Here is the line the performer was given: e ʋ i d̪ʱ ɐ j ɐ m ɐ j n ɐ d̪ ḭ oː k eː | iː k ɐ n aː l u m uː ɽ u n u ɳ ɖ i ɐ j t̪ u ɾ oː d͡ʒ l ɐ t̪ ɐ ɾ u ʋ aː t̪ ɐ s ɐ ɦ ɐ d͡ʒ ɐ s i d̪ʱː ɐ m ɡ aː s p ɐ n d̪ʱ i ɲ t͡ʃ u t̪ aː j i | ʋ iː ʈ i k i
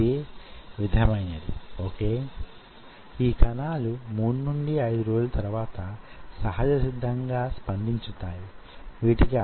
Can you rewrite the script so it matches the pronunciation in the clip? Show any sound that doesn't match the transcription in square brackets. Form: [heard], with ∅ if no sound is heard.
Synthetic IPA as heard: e ʋ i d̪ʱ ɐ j ɐ m ɐ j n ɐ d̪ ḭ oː k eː | iː k ɐ n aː l u m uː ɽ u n u ɳ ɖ i ɐ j [d̪] u ɾ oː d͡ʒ l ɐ t̪ ɐ ɾ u ʋ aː t̪ ɐ s ɐ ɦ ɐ d͡ʒ ɐ s i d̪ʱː ɐ [ŋ] ɡ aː s p ɐ n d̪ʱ i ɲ t͡ʃ u t̪ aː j i | ʋ iː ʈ i k i